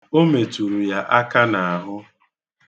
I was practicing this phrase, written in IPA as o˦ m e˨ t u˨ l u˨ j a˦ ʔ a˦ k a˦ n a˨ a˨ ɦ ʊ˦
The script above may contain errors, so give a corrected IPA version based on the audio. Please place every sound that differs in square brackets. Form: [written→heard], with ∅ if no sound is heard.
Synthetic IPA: o˦ m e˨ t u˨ [l→ɾ] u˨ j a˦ ʔ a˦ k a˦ n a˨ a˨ ɦ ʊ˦